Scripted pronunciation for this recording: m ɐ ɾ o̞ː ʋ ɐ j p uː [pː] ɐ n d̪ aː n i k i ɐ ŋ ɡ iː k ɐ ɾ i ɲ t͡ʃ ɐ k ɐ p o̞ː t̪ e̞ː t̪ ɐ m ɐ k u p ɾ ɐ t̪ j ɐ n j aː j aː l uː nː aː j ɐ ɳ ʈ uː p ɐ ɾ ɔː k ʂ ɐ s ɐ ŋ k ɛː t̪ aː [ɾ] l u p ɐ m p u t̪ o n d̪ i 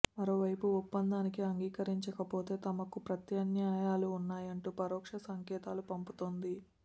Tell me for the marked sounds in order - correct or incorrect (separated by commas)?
correct, incorrect